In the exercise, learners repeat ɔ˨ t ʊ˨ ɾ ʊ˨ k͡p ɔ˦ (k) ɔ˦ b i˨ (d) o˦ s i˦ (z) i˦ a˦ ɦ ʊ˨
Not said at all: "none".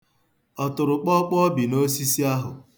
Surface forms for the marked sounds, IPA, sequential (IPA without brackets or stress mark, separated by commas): k͡p, n, s